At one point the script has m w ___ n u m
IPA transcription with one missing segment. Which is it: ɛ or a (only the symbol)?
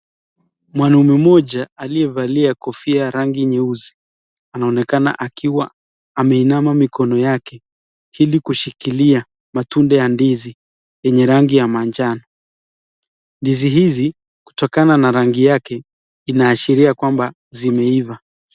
a